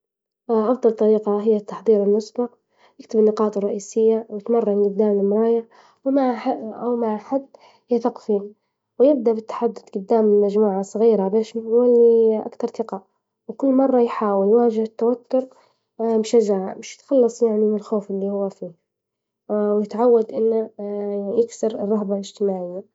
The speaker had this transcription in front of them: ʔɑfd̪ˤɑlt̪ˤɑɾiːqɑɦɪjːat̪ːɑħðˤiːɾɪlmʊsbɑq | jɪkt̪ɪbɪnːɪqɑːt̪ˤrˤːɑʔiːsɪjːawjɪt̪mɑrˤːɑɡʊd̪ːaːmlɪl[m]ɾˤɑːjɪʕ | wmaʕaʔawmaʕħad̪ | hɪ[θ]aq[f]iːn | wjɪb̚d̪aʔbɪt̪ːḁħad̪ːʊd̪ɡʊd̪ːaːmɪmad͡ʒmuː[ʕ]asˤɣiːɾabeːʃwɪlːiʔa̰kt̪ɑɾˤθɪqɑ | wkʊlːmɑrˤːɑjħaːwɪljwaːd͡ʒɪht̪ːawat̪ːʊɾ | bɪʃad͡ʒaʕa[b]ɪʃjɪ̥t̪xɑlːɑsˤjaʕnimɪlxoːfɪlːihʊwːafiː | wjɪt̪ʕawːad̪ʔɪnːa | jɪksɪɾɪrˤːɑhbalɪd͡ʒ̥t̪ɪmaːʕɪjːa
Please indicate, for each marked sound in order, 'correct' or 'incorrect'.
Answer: correct, correct, correct, correct, incorrect

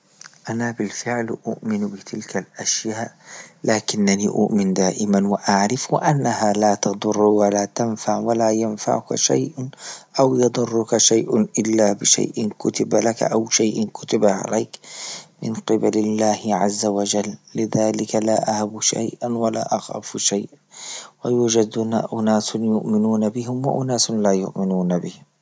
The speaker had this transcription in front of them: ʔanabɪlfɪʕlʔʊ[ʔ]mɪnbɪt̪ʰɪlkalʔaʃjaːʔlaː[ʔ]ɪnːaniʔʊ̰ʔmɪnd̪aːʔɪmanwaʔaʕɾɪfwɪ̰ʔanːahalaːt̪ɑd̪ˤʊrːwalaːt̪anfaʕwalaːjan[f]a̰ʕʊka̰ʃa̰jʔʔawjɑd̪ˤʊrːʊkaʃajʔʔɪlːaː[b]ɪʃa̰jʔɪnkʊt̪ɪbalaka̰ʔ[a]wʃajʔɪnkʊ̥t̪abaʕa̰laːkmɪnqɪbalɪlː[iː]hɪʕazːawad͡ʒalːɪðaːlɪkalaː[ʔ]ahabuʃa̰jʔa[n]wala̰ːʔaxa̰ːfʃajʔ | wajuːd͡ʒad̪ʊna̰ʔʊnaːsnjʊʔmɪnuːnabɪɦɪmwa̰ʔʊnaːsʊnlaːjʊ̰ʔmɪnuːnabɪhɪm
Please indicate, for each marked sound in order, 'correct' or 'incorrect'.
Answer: correct, incorrect, correct, correct, correct, incorrect, correct, correct

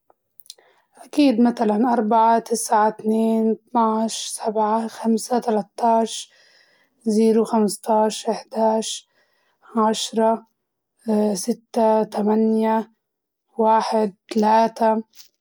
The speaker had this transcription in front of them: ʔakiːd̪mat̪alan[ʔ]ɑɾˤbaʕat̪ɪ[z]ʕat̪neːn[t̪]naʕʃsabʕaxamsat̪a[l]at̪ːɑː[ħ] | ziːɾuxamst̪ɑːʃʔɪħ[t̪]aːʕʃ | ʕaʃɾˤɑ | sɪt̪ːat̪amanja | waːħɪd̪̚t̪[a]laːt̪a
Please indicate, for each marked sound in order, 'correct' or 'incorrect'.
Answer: correct, incorrect, correct, correct, incorrect, incorrect, correct

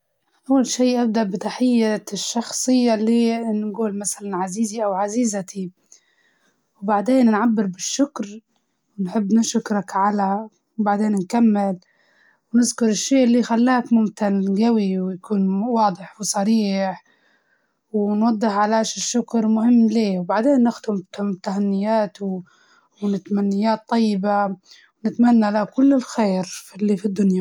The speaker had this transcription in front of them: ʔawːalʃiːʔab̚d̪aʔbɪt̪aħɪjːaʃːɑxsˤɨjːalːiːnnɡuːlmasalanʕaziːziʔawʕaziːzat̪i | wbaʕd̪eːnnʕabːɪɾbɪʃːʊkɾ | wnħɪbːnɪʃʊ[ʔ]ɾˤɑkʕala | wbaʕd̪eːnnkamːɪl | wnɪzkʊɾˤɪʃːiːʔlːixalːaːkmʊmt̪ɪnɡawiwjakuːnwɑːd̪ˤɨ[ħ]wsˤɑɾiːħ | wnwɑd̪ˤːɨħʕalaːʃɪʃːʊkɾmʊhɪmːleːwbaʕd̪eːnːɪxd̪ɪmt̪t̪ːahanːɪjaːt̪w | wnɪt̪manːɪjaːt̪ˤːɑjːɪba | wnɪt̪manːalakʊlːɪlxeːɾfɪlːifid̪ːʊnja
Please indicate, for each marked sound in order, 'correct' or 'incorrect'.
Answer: incorrect, correct

